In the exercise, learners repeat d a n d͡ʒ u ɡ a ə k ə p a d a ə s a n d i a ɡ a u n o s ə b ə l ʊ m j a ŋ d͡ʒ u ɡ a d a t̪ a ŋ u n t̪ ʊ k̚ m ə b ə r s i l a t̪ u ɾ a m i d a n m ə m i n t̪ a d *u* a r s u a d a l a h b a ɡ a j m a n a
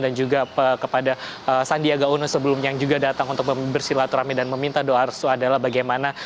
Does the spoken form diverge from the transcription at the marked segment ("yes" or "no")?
yes